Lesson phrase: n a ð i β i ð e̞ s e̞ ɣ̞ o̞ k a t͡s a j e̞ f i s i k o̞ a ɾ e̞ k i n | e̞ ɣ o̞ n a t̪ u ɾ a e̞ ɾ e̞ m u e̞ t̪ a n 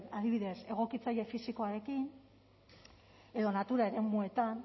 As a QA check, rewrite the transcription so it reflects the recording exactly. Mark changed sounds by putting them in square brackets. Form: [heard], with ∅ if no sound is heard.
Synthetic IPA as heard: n a ð i β i ð e̞ s e̞ ɣ̞ o̞ k [i] t͡s a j e̞ f i s i k o̞ a ɾ e̞ k i n | e̞ [ð] o̞ n a t̪ u ɾ a e̞ ɾ e̞ m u e̞ t̪ a n